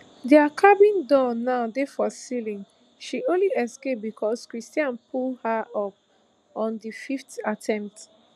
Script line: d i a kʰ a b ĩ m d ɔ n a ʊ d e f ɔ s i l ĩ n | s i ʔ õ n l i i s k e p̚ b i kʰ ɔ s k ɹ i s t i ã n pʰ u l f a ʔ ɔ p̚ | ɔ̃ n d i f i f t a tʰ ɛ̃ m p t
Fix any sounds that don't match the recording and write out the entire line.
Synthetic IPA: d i a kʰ a b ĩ n d ɔ n a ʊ d e f ɔ s i l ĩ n | ʃ i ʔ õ n l i ɛ s k e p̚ b i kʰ ɔ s k ɹ i s t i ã n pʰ u l h a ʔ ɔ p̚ | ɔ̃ n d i f i f t a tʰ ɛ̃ m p t